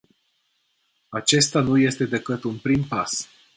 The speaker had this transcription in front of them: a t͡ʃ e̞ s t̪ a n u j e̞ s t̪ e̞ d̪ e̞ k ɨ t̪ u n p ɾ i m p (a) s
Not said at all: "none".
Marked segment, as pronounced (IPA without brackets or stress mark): a